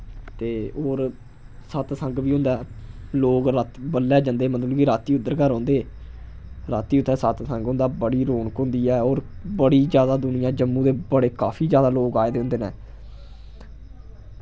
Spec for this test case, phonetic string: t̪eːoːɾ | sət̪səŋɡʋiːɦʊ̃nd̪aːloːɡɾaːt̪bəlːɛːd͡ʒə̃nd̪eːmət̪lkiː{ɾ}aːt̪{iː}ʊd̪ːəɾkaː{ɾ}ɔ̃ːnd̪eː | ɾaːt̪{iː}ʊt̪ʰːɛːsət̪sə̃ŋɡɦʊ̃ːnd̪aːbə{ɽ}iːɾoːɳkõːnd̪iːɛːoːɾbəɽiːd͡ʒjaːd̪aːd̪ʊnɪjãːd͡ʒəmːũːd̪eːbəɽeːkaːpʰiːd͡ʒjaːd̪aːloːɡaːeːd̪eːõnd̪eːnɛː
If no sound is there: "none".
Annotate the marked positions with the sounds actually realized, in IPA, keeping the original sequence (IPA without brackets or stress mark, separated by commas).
ɾ, iː, ɾ, iː, ɽ